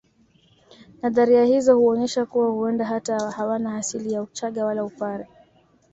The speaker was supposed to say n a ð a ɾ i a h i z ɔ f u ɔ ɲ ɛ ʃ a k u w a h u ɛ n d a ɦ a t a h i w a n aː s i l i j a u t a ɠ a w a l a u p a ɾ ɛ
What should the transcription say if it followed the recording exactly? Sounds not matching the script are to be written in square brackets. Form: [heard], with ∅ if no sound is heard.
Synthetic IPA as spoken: n a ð a ɾ i a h i z ɔ [h] u ɔ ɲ ɛ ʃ a k u w a h u ɛ n d a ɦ a t a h [a] w a n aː s i l i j a u [t͡ʃ] a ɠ a w a l a u p a ɾ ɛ